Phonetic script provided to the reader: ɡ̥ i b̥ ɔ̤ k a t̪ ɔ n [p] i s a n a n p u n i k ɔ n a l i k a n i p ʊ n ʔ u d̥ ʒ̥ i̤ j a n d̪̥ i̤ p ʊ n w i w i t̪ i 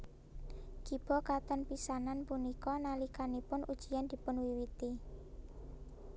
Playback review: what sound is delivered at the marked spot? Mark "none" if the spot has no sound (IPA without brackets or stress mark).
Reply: p